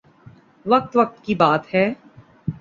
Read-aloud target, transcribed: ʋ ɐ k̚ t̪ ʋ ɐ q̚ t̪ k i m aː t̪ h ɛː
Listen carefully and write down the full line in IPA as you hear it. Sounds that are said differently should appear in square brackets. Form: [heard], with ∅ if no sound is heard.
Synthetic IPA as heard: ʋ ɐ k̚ t̪ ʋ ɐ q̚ t̪ k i [b] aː t̪ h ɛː